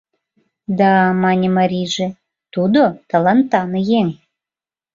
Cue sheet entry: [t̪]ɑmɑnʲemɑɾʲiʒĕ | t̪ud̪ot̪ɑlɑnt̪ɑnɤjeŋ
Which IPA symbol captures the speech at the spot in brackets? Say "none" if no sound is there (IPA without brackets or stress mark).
d̪